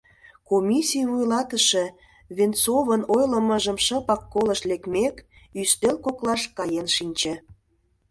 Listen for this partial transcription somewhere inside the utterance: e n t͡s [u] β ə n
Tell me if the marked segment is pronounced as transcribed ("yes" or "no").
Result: no